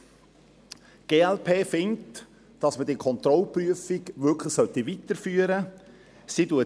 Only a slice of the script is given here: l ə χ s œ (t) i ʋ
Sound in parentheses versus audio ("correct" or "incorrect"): correct